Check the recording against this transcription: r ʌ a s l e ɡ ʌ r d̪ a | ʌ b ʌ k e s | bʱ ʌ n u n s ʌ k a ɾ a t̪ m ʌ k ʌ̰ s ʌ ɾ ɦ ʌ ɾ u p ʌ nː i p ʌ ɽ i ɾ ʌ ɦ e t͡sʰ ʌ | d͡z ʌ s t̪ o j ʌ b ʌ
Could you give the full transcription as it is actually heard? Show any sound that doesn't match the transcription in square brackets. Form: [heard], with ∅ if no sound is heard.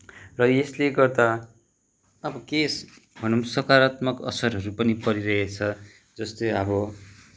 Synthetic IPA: r ʌ [e] s l e ɡ ʌ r d̪ a | ʌ b ʌ k e s | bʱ ʌ n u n s ʌ k a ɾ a t̪ m ʌ k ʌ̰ s ʌ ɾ ɦ ʌ ɾ u p ʌ [n] i p ʌ [ɾ] i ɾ ʌ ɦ e t͡sʰ ʌ | d͡z ʌ s t̪ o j ʌ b ʌ